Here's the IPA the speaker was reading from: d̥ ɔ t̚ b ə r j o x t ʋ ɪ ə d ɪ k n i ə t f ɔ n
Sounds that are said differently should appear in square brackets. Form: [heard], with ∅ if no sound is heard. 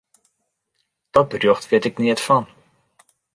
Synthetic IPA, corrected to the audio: d̥ ɔ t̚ b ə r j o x t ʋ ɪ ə [t] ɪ k n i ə t f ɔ n